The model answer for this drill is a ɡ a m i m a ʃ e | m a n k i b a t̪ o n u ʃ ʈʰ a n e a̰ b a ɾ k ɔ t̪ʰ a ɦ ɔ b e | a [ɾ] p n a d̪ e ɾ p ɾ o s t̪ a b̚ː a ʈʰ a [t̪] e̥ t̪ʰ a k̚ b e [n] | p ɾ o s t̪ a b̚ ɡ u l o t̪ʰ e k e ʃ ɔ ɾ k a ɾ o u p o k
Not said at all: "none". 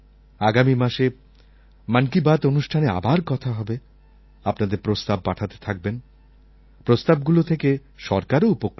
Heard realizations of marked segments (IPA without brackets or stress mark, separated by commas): none, t̪, n